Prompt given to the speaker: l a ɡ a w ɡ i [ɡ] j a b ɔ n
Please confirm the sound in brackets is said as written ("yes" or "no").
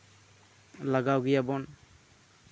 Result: no